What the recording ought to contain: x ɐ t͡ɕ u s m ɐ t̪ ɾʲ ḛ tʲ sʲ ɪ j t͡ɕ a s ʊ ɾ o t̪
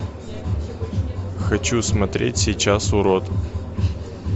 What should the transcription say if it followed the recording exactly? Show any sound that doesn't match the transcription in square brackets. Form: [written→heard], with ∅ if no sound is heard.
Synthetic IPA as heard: x ɐ t͡ɕ u s m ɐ t̪ ɾʲ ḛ tʲ sʲ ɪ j t͡ɕ a s ʊ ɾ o t̪